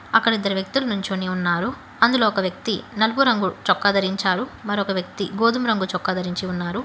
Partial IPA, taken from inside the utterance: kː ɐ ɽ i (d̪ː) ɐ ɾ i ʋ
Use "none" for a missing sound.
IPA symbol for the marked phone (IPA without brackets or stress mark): d̪ː